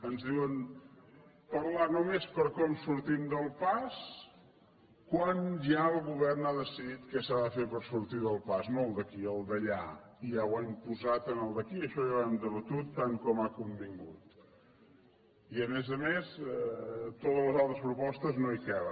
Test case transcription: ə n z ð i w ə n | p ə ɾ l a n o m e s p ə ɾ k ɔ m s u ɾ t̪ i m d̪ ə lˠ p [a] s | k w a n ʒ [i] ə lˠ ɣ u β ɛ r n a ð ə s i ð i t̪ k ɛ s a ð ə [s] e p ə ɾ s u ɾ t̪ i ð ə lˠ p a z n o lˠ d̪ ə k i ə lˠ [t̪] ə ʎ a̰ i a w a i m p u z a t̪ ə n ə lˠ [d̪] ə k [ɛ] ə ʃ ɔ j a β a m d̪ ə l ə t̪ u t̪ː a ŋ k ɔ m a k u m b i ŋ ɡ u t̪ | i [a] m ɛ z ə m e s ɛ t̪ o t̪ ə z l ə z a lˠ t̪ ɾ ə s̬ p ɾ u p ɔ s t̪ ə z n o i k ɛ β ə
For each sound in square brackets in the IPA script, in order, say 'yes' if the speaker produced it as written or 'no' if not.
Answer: yes, no, no, no, yes, no, no

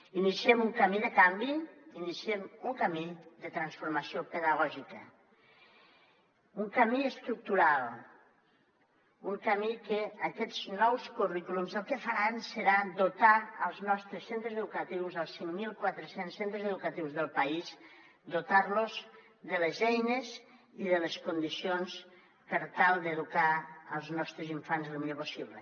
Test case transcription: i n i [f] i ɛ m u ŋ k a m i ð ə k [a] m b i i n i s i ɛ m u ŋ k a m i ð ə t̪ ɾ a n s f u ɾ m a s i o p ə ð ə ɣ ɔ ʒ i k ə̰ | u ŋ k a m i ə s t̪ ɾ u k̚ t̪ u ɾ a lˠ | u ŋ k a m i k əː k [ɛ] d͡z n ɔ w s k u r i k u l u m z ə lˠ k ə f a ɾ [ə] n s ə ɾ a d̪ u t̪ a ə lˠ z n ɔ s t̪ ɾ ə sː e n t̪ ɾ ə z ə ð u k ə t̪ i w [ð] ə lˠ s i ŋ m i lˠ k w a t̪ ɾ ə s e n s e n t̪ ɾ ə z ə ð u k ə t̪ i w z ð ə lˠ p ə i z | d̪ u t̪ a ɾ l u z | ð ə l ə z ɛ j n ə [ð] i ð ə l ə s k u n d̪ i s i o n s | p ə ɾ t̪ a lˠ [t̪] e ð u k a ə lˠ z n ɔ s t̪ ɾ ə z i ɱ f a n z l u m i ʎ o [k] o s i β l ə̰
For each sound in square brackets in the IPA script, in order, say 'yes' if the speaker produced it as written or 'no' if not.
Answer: no, yes, yes, no, no, no, no, no

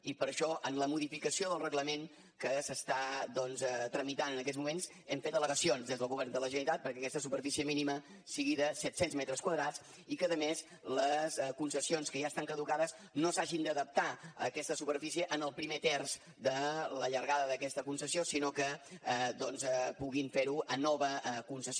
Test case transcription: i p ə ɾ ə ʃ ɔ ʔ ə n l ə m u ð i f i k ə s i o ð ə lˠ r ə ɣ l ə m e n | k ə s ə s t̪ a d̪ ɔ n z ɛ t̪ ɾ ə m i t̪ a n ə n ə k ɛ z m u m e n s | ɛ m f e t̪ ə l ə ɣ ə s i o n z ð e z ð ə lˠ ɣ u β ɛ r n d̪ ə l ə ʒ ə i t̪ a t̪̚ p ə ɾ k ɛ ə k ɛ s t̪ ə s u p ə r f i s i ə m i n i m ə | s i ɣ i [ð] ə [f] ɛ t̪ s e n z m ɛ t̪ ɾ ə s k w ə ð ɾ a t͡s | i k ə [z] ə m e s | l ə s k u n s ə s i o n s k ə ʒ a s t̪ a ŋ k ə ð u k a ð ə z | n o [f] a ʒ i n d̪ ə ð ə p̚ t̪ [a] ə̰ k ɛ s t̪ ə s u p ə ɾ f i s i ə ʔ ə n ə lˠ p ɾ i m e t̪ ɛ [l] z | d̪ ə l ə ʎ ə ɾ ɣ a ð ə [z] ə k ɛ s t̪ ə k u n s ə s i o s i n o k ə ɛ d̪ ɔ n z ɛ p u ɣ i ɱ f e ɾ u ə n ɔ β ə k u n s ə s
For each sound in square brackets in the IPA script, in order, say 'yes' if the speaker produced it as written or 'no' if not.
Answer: yes, no, no, no, yes, no, no

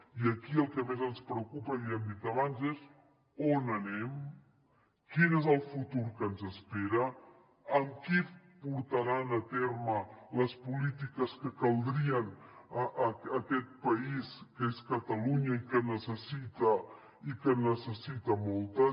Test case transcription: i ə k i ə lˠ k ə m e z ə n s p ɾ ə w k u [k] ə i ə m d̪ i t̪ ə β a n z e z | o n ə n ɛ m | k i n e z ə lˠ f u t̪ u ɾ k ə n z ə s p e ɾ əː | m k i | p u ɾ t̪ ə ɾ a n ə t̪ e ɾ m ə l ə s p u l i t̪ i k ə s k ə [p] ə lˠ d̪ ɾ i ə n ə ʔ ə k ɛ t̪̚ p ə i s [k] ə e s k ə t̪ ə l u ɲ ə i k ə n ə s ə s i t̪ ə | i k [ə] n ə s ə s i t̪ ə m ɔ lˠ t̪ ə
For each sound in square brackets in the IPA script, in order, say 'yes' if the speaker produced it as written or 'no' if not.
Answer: no, no, yes, yes

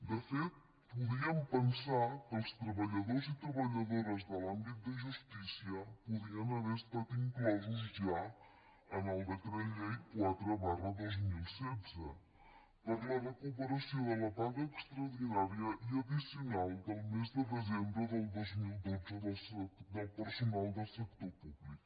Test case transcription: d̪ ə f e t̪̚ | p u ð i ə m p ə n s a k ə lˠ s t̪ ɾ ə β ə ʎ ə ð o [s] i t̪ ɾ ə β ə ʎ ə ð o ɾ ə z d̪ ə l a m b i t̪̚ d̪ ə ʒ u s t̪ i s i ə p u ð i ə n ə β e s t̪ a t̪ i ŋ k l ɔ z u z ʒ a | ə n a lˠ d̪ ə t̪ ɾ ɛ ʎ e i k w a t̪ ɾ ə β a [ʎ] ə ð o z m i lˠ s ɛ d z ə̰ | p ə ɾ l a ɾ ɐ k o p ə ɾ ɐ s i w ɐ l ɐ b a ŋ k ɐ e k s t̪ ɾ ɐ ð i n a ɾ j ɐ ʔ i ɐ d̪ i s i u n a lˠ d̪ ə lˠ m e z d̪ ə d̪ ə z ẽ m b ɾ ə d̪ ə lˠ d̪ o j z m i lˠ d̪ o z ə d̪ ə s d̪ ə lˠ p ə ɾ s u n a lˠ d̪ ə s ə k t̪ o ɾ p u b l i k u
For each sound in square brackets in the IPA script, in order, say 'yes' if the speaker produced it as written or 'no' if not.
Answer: no, no

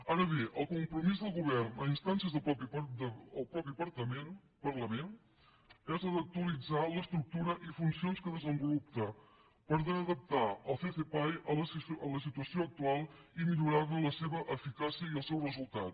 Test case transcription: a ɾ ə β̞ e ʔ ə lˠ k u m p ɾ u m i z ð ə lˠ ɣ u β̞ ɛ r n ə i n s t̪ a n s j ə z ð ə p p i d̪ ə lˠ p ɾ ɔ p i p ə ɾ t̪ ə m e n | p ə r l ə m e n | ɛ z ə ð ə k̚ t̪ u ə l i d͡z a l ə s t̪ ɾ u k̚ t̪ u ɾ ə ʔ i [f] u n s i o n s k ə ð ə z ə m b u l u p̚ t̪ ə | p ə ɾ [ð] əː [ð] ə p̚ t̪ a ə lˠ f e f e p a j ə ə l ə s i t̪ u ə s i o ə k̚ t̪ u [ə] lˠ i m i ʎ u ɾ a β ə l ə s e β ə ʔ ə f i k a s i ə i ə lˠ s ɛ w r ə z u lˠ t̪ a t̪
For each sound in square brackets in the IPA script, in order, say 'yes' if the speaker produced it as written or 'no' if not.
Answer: yes, yes, yes, no

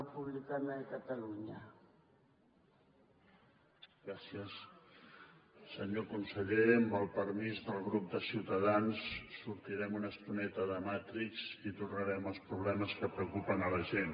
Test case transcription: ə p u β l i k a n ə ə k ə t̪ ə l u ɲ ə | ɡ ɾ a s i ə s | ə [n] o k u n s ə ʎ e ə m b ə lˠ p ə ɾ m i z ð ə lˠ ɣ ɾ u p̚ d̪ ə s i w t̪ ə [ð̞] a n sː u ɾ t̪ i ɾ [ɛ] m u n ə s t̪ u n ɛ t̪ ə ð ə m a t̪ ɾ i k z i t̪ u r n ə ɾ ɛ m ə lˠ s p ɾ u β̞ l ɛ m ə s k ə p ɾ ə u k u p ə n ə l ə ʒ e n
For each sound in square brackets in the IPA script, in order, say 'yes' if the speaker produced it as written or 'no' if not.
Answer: no, yes, yes

